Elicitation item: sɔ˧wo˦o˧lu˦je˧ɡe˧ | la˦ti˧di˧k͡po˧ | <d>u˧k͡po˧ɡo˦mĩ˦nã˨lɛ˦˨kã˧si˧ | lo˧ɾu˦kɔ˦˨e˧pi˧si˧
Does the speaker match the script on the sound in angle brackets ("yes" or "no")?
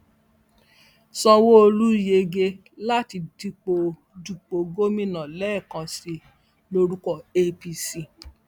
yes